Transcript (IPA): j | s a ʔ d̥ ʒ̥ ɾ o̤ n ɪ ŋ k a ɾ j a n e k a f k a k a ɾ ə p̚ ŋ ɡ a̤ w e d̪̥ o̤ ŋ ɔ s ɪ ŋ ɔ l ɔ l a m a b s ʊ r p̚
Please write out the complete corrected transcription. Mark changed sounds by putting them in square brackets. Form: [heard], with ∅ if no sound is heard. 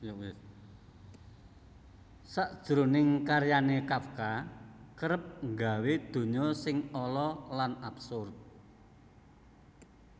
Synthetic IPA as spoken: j | s a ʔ d̥ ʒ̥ ɾ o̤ n ɪ ŋ k a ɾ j a n e k a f k a k [ə] ɾ ə p̚ ŋ ɡ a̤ w e d̪̥ o̤ [ɲ] ɔ s ɪ ŋ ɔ l ɔ l a [n] a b s ʊ r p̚